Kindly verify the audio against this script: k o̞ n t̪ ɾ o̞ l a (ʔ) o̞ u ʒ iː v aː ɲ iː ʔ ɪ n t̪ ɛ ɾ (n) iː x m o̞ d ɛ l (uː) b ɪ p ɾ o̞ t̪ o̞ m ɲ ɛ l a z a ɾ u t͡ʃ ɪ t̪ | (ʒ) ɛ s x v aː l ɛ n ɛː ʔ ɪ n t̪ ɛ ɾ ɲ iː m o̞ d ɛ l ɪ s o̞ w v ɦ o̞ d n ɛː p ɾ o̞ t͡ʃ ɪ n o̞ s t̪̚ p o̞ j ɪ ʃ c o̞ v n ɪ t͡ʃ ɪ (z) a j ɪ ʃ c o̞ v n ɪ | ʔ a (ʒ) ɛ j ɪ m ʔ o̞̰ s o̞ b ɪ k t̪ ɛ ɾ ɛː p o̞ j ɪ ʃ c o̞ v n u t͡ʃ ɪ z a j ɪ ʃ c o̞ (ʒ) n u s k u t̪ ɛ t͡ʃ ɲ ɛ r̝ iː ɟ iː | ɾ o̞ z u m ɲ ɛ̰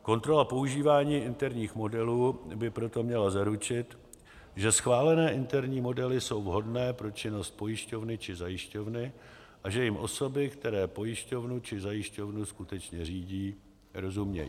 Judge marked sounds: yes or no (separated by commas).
no, no, yes, yes, yes, yes, no